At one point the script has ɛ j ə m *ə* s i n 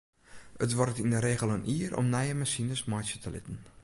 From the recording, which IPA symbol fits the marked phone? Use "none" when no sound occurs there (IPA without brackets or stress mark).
a